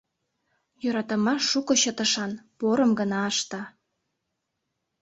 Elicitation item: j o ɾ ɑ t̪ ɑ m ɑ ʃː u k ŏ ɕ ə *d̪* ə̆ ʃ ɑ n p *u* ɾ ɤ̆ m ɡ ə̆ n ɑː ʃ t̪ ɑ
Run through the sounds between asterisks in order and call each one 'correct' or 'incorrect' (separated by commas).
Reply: incorrect, incorrect